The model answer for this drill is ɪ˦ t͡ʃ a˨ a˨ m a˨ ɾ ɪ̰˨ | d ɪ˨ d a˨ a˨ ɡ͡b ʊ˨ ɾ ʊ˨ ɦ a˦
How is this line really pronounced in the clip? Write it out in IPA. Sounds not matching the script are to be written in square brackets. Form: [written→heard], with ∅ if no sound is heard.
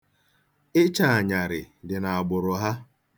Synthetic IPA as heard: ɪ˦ t͡ʃ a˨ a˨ [m→ɲ] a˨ ɾ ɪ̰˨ | d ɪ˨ [d→n] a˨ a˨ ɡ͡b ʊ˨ ɾ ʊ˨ ɦ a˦